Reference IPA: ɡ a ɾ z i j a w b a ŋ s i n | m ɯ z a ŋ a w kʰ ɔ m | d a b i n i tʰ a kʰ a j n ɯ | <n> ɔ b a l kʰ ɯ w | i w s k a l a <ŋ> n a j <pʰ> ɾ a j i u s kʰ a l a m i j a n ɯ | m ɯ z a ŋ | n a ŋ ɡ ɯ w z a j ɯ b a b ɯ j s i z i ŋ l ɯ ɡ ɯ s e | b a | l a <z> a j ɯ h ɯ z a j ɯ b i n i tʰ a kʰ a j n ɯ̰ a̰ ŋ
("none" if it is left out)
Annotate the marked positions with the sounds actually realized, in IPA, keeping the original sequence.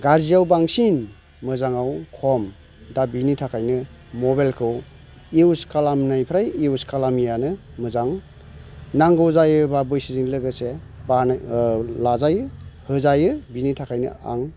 m, m, pʰ, z

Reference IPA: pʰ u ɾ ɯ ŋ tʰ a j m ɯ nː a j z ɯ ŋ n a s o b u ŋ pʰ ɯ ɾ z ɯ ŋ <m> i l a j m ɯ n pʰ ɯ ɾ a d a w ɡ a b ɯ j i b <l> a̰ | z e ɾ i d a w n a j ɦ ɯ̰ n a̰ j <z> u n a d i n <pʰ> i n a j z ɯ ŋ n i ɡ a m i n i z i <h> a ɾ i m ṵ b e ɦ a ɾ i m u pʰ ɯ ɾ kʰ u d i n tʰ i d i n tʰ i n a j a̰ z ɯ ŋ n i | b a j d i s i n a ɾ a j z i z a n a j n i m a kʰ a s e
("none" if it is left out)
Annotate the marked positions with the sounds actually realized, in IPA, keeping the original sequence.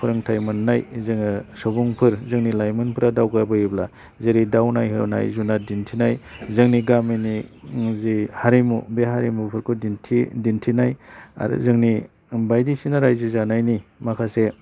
n, l, z, tʰ, h

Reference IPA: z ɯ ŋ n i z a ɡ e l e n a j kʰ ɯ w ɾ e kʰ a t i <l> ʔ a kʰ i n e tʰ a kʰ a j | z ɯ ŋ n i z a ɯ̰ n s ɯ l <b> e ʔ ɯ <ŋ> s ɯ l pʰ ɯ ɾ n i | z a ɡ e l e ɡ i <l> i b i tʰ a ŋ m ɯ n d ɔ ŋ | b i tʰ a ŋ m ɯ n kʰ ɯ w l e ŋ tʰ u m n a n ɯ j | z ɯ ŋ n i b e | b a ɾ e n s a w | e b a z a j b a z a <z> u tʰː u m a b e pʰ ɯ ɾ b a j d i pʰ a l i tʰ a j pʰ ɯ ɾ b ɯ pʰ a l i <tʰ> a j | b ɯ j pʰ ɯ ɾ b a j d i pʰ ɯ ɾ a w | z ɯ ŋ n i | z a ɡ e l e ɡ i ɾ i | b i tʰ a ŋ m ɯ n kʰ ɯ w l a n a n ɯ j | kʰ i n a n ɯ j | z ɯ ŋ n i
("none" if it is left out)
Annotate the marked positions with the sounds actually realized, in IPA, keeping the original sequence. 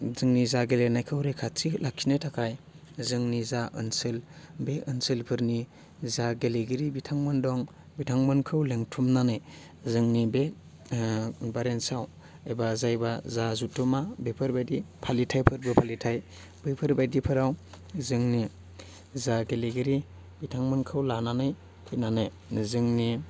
l, b, n, ɾ, z, tʰ

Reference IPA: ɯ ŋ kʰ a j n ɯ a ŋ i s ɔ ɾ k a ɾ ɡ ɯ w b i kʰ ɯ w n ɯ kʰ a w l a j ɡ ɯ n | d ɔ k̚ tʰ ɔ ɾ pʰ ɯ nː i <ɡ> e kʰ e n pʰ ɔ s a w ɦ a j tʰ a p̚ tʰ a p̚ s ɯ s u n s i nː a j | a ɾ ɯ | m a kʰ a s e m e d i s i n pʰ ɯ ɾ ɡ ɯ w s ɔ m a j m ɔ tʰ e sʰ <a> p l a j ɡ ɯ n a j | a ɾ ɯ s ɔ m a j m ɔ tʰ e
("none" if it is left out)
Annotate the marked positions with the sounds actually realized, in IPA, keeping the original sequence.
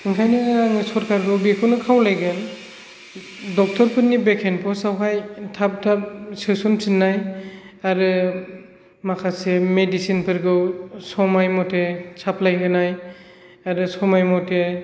b, a

